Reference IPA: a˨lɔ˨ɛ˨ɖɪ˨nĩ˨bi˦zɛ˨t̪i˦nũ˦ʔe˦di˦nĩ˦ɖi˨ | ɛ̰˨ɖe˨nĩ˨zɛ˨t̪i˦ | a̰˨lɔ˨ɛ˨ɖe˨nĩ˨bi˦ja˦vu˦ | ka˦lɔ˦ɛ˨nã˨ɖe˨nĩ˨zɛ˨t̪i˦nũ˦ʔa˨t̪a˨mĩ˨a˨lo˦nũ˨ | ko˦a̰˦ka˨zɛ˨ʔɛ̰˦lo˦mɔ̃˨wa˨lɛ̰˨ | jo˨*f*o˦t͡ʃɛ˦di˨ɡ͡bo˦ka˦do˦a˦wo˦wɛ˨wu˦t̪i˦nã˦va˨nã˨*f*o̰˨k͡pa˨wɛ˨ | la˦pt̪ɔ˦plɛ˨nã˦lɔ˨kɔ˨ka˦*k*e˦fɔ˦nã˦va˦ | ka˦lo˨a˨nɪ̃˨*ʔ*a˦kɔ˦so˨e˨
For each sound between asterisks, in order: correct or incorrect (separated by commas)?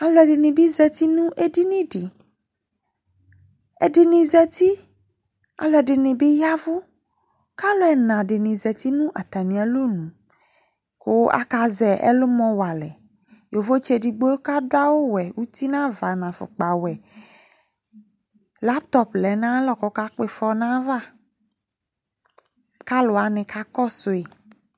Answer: incorrect, correct, incorrect, incorrect